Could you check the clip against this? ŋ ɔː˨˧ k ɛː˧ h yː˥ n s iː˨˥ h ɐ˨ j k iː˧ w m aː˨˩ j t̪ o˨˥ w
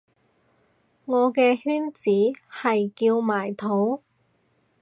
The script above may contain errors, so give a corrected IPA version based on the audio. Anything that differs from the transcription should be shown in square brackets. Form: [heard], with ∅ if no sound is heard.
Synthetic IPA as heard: ŋ ɔː˨˧ k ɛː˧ h yː˥ n [t͡s] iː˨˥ h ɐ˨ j k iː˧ w m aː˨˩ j [t̪ʰ] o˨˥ w